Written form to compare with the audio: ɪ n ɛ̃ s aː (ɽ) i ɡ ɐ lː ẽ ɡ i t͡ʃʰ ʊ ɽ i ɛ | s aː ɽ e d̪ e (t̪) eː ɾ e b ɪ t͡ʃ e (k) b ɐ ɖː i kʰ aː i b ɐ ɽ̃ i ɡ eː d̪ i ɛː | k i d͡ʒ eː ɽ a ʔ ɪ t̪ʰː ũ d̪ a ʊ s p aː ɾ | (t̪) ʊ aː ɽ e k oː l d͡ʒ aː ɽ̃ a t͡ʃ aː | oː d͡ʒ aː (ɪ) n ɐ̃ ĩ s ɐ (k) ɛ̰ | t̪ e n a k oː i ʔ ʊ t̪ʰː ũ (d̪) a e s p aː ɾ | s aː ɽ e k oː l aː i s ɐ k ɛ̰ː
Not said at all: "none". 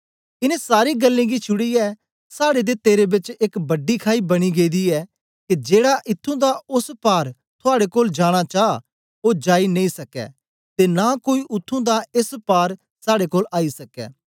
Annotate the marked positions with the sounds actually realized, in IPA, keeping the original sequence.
ɾ, t̪, k, t̪ʰ, i, k, d̪

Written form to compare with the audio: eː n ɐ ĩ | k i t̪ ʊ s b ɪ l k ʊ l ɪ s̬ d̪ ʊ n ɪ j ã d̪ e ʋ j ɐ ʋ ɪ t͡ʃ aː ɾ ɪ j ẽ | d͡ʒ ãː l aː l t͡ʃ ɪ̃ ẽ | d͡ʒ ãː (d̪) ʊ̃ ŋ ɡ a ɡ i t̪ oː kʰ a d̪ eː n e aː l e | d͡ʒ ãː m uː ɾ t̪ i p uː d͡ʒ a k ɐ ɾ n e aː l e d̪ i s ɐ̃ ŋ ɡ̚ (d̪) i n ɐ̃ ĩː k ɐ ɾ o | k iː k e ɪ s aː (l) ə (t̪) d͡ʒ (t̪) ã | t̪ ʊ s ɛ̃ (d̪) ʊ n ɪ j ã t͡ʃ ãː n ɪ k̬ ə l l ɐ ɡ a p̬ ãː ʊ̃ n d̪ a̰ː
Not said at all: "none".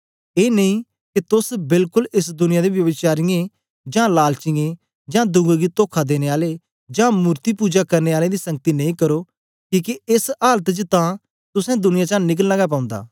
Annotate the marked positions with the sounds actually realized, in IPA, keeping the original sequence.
d̪, t̪, l, t̪, t̪, d̪

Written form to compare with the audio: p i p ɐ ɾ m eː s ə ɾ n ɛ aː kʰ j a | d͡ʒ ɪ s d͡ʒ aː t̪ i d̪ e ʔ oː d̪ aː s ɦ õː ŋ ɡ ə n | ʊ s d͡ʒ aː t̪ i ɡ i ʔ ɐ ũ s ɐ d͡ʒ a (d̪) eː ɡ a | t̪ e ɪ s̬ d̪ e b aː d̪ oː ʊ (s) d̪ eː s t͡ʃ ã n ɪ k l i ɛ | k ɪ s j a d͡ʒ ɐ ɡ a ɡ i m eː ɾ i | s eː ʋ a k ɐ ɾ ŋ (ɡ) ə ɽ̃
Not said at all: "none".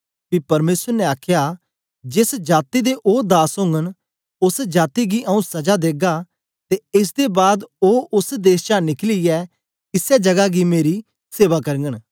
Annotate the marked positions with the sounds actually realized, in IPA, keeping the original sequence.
d̪, s, ɡ

